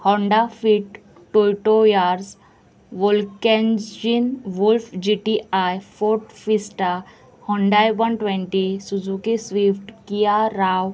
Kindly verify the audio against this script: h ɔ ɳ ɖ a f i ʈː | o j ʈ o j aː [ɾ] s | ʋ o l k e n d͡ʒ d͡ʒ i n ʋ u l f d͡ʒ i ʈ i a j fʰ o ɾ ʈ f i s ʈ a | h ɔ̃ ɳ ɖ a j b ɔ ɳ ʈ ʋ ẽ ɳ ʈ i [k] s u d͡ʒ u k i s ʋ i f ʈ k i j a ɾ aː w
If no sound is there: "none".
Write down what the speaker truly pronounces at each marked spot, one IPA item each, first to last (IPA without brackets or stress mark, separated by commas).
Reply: ɾ, none